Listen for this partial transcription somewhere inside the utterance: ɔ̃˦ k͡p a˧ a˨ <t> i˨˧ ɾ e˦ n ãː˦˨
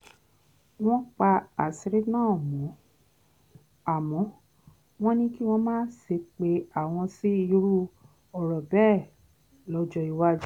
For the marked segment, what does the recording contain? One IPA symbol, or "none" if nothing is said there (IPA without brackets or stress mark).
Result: s